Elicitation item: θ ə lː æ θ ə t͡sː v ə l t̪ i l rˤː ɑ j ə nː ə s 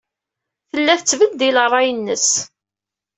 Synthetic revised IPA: θ ə lː æ θ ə t͡sː v ə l d̪ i l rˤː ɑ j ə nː ə s